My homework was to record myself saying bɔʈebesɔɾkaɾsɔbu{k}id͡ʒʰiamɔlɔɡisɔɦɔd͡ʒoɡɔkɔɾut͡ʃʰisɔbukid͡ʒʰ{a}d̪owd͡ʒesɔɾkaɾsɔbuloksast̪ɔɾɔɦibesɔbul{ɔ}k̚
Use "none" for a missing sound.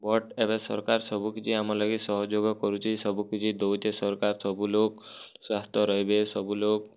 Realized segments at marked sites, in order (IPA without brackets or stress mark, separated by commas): k, i, o